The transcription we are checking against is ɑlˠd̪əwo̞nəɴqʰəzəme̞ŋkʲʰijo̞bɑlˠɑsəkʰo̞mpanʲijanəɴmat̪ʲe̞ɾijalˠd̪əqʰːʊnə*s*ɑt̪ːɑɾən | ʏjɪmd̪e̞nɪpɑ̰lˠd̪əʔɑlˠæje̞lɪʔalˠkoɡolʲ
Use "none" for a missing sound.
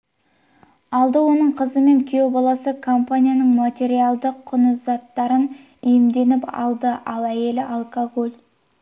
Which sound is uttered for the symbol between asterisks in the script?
z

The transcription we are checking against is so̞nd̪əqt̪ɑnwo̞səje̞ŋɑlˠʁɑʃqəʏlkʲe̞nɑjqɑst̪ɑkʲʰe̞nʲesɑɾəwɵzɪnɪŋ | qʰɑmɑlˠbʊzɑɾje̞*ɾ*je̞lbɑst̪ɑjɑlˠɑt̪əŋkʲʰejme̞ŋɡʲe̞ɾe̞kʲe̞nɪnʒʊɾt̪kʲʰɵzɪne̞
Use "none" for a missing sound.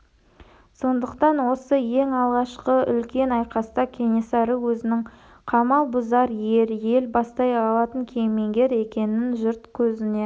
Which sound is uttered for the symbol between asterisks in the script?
ɾ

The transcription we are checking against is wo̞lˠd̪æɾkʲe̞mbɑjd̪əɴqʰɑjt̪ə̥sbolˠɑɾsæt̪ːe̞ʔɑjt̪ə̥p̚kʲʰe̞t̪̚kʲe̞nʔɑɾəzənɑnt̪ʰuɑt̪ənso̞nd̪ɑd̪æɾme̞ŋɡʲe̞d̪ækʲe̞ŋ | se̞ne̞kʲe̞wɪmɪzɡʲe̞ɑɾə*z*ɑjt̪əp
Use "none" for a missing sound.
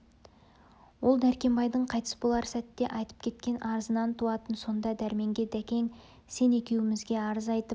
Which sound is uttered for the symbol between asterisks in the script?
z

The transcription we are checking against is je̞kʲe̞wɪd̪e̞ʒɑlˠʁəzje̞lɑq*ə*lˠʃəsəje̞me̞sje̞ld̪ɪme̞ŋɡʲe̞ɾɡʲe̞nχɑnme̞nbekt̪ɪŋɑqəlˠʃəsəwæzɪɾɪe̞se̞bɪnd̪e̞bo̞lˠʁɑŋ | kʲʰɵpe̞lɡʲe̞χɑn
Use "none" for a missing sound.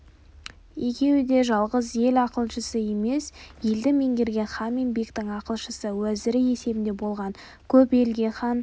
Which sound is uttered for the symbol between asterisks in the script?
ə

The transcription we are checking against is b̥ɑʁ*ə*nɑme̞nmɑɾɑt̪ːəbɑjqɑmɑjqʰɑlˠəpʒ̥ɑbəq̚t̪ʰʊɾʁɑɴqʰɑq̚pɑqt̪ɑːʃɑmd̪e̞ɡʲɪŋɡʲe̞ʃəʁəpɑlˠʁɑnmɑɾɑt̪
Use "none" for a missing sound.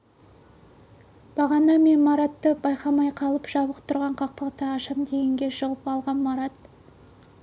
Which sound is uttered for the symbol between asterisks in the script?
ɑ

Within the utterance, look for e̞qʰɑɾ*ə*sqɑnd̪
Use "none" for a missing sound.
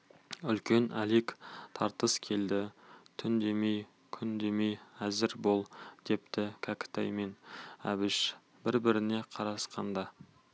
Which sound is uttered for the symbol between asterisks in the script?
ɑ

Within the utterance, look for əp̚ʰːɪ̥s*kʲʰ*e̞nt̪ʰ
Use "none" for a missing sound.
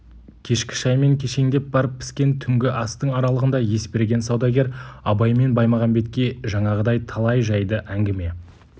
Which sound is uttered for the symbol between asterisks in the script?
kʲ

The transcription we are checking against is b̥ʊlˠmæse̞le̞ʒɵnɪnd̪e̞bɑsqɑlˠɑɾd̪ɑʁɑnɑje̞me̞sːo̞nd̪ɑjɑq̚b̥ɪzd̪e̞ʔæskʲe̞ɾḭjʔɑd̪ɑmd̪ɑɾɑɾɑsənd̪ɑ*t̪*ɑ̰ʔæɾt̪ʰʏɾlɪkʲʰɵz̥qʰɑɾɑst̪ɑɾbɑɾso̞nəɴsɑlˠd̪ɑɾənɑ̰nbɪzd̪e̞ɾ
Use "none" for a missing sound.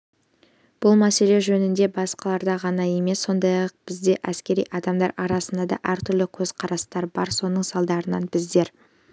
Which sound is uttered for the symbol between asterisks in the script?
d̪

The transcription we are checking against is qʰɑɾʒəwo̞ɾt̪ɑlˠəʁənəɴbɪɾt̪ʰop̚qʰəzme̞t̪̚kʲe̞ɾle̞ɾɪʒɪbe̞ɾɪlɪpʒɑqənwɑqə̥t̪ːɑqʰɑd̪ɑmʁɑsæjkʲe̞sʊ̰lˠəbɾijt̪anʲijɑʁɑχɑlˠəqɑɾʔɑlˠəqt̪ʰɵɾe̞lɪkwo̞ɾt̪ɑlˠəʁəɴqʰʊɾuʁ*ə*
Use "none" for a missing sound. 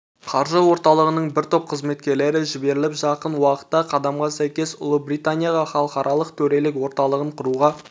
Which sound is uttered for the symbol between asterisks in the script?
ɑ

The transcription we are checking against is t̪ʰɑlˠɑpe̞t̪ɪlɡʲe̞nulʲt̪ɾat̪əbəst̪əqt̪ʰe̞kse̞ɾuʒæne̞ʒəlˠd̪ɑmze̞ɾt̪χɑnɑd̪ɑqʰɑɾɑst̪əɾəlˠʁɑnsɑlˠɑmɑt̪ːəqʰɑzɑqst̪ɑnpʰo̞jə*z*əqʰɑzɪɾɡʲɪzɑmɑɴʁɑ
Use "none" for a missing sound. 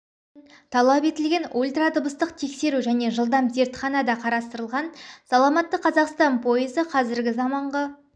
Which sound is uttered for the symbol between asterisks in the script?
z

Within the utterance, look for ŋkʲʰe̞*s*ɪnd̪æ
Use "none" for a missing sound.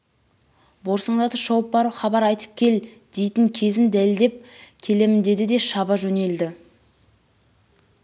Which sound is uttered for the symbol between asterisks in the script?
z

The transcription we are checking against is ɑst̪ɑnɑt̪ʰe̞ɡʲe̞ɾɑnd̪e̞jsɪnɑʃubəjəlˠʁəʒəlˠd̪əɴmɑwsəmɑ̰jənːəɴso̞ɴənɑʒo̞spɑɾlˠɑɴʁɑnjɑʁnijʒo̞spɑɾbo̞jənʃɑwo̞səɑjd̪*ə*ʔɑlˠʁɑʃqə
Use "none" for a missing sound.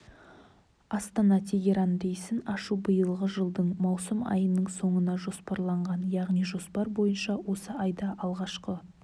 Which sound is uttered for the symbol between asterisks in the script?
ɑ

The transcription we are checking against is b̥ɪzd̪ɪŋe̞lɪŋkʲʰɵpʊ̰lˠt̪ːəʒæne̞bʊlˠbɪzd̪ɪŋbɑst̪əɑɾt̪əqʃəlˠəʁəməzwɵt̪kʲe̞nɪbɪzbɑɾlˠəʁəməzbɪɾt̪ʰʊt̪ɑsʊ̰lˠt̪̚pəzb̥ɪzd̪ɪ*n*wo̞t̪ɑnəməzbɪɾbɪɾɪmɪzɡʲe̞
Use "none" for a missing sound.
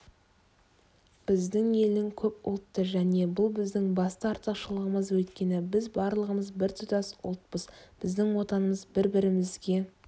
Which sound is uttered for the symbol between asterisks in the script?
ŋ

